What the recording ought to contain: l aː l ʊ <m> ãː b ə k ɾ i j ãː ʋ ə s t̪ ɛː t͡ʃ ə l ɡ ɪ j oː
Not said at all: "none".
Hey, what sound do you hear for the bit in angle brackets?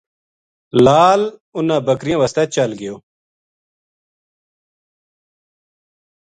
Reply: n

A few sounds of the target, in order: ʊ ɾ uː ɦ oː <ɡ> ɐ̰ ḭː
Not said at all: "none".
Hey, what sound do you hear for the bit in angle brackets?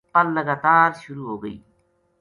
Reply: ɡ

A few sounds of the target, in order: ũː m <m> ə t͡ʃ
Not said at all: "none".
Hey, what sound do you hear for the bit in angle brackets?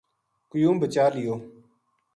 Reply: b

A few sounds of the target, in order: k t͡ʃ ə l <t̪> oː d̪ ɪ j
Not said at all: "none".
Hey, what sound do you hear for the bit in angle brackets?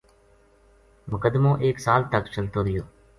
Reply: t̪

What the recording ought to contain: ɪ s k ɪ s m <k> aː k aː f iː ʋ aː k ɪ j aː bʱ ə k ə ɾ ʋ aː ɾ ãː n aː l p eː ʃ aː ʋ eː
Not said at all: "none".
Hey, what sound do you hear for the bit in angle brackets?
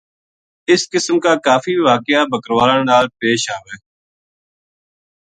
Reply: k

